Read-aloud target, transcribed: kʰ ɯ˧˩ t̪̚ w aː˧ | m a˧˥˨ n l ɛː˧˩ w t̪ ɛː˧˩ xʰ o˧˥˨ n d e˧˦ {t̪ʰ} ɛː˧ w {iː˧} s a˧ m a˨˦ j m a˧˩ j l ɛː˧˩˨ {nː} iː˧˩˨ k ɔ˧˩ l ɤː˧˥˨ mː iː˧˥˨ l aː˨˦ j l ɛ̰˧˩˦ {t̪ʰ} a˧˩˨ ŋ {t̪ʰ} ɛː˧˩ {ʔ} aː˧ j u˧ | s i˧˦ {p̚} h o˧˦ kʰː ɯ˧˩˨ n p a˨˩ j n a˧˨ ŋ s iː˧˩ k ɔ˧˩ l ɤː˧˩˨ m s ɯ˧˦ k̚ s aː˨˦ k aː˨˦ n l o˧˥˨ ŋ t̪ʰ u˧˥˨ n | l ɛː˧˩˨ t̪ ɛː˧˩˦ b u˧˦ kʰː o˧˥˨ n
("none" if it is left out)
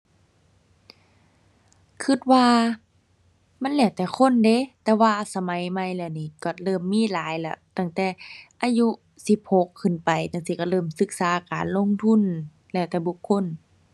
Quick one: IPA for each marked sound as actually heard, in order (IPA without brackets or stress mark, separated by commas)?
t̪, aː˧, n, t̪, t̪, ʔ, p̚